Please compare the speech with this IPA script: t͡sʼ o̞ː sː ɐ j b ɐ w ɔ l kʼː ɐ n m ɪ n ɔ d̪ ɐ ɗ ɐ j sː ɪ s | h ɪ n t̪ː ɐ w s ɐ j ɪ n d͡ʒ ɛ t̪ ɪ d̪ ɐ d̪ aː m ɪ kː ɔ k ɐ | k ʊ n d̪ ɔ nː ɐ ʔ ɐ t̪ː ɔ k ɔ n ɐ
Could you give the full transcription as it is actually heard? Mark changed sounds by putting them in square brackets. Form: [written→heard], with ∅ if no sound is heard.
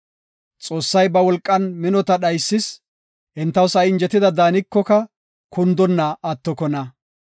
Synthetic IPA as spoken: t͡sʼ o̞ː sː ɐ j b ɐ w ɔ l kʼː ɐ n m ɪ n ɔ [d̪→t̪] ɐ ɗ ɐ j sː ɪ s | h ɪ n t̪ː ɐ w s ɐ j ɪ n d͡ʒ ɛ t̪ ɪ d̪ ɐ d̪ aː [m→n] ɪ kː ɔ k ɐ | k ʊ n d̪ ɔ nː ɐ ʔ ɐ t̪ː ɔ k ɔ n ɐ

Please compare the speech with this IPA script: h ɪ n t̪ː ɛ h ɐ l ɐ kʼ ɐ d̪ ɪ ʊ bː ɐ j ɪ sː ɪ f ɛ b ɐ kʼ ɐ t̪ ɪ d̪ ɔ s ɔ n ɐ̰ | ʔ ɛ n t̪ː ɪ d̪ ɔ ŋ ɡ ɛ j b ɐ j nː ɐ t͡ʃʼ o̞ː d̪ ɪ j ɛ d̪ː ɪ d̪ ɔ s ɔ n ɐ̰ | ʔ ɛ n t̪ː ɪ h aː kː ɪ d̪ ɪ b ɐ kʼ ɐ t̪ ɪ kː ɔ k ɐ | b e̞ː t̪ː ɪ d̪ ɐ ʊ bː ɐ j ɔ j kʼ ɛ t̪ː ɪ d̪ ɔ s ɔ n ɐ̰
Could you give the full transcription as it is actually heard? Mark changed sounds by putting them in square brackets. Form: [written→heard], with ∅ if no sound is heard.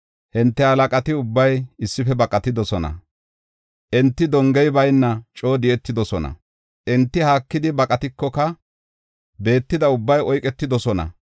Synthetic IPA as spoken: h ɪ n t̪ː ɛ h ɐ l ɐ kʼ ɐ [d̪→t̪] ɪ ʊ bː ɐ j ɪ sː ɪ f ɛ b ɐ kʼ ɐ t̪ ɪ d̪ ɔ s ɔ n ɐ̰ | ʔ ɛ n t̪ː ɪ d̪ ɔ ŋ ɡ ɛ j b ɐ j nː ɐ t͡ʃʼ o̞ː d̪ ɪ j ɛ [d̪ː→t̪ː] ɪ d̪ ɔ s ɔ n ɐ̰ | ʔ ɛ n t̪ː ɪ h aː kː ɪ d̪ ɪ b ɐ kʼ ɐ t̪ ɪ kː ɔ k ɐ | b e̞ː t̪ː ɪ d̪ ɐ ʊ bː ɐ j ɔ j kʼ ɛ t̪ː ɪ d̪ ɔ s ɔ n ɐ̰

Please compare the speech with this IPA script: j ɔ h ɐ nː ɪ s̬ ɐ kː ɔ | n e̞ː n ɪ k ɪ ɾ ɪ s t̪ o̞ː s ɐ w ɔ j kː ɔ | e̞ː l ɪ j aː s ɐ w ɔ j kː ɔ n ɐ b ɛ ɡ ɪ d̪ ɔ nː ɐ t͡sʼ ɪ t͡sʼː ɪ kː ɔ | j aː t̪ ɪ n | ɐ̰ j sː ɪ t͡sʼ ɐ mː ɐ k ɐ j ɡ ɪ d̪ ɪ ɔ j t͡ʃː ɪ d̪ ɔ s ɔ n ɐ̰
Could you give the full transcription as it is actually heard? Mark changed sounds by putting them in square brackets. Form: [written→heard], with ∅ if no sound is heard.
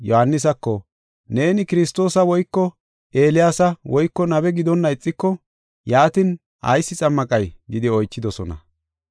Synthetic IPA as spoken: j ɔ h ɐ nː ɪ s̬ ɐ kː ɔ | n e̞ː n ɪ k ɪ ɾ ɪ s t̪ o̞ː s ɐ w ɔ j kː ɔ | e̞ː l ɪ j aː s ɐ w ɔ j kː ɔ n ɐ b ɛ ɡ ɪ d̪ ɔ nː ɐ [t͡sʼ→∅] ɪ t͡sʼː ɪ kː ɔ | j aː t̪ ɪ n | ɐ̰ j sː ɪ t͡sʼ ɐ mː ɐ [k→kʼ] ɐ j ɡ ɪ d̪ ɪ ɔ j t͡ʃː ɪ d̪ ɔ s ɔ n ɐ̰

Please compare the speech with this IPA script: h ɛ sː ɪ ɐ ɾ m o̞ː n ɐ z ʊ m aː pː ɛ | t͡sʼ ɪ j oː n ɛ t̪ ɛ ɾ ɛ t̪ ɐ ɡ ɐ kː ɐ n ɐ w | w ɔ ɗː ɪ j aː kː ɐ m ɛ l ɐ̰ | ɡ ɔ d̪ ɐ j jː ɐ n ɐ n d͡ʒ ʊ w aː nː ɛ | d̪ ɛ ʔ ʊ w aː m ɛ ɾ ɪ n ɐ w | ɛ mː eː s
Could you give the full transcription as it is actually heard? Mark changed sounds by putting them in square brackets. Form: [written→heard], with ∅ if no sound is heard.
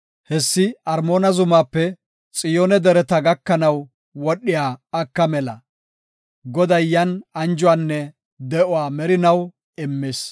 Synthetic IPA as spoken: h ɛ sː ɪ ɐ ɾ m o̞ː n ɐ z ʊ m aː pː ɛ | t͡sʼ ɪ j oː n ɛ [t̪→d̪] ɛ ɾ ɛ t̪ ɐ ɡ ɐ kː ɐ n ɐ w | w ɔ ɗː ɪ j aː kː ɐ m ɛ l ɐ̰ | ɡ ɔ d̪ ɐ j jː ɐ n ɐ n d͡ʒ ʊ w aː nː ɛ | d̪ ɛ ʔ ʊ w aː m ɛ ɾ ɪ n ɐ w | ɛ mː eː s

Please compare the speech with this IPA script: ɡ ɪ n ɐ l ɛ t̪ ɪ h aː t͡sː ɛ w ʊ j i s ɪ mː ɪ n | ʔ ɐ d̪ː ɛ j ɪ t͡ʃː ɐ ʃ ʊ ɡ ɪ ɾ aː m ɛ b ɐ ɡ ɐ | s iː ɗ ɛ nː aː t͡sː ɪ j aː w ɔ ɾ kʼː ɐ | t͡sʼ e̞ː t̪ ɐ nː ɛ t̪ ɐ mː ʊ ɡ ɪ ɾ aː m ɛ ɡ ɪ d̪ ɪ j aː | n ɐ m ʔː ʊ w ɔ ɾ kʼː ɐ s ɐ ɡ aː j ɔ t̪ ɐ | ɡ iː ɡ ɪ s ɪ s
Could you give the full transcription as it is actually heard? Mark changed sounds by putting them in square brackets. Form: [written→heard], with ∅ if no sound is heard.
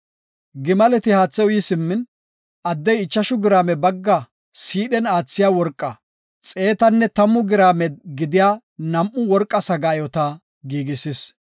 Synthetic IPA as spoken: ɡ ɪ [n→m] ɐ l ɛ t̪ ɪ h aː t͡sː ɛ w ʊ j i s ɪ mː ɪ n | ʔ ɐ d̪ː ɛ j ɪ t͡ʃː ɐ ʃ ʊ ɡ ɪ ɾ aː m ɛ b ɐ [ɡ→ɡː] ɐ | s iː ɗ ɛ [nː→n] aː t͡sː ɪ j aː w ɔ ɾ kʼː ɐ | t͡sʼ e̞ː t̪ ɐ nː ɛ t̪ ɐ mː ʊ ɡ ɪ ɾ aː m ɛ ɡ ɪ d̪ ɪ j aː | n ɐ m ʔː ʊ w ɔ ɾ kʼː ɐ s ɐ ɡ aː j ɔ t̪ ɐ | ɡ iː ɡ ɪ s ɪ s

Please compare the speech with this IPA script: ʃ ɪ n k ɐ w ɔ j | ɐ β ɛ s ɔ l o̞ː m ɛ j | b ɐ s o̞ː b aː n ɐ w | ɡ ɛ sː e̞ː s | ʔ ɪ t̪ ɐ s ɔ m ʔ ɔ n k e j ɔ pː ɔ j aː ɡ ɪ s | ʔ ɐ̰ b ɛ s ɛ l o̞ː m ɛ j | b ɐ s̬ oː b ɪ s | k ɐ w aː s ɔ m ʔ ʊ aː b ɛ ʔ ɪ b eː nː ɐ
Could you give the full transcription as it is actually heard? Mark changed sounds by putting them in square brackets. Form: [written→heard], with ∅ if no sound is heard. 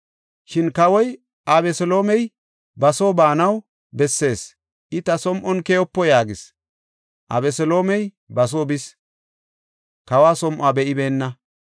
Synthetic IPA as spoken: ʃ ɪ n k ɐ w ɔ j | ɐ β ɛ s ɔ l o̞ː m ɛ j | b ɐ s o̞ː b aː n ɐ w | [ɡ→b] ɛ sː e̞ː s | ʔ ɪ t̪ ɐ s ɔ m ʔ ɔ n k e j ɔ pː ɔ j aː ɡ ɪ s | ʔ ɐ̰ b ɛ s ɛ l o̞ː m ɛ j | b ɐ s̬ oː b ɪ s | k ɐ w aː s ɔ m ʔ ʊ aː b ɛ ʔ ɪ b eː nː ɐ

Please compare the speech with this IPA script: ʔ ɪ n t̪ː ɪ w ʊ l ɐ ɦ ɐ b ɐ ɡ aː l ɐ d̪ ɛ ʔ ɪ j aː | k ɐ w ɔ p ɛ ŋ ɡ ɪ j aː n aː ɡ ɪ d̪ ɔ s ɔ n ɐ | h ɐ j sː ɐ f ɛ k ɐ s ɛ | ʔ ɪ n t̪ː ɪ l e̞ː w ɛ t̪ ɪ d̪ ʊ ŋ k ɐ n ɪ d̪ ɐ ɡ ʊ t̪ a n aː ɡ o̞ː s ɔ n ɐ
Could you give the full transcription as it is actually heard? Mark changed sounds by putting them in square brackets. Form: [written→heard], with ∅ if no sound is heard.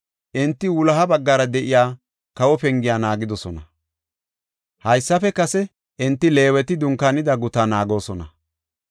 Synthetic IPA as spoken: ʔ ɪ n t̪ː ɪ w ʊ l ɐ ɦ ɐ b ɐ [ɡ→ɡː] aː [l→ɾ] ɐ d̪ ɛ ʔ ɪ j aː | k ɐ w ɔ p ɛ ŋ ɡ ɪ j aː n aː ɡ ɪ d̪ ɔ s ɔ n ɐ | h ɐ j sː ɐ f ɛ k ɐ s ɛ | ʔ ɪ n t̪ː ɪ l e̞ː w ɛ t̪ ɪ d̪ ʊ ŋ k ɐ n ɪ d̪ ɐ ɡ ʊ t̪ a n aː ɡ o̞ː s ɔ n ɐ

